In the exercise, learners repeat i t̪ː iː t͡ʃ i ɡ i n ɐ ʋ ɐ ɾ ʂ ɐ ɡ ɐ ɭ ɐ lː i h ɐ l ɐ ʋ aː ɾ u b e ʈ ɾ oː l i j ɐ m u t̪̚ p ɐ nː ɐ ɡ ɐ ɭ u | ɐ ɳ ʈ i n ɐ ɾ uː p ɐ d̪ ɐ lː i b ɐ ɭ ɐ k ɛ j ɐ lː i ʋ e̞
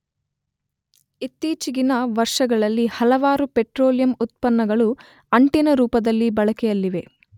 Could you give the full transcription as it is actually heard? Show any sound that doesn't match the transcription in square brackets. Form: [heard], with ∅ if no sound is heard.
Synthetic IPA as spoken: i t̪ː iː t͡ʃ i ɡ i n ɐ ʋ ɐ ɾ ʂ ɐ ɡ ɐ ɭ ɐ lː i h ɐ l ɐ ʋ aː ɾ u [p] e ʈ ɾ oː l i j ɐ m u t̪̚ p ɐ nː ɐ ɡ ɐ ɭ u | ɐ ɳ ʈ i n ɐ ɾ uː p ɐ d̪ ɐ lː i b ɐ ɭ ɐ k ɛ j ɐ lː i ʋ e̞